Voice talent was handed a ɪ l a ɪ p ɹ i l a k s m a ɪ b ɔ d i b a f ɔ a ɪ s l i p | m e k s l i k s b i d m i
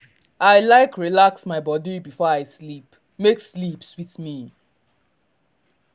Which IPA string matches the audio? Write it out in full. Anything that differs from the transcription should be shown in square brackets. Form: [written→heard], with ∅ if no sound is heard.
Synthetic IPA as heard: a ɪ l a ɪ [p→k] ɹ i l a k s m a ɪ b ɔ d i b [a→i] f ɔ a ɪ s l i p | m e k s l i [k→p] s [b→w] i [d→t] m i